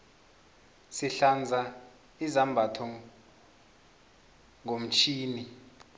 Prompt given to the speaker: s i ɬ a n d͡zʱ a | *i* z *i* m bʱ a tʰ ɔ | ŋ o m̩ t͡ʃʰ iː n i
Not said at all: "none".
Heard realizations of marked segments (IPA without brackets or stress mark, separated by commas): i, a